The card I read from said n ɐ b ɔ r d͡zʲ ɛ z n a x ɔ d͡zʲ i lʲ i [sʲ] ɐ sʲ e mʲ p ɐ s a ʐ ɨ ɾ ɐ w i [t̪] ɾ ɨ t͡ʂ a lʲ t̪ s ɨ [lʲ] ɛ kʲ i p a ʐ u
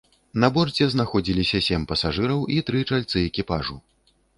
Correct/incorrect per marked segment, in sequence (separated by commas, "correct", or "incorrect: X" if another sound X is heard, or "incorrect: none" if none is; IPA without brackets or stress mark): correct, correct, incorrect: none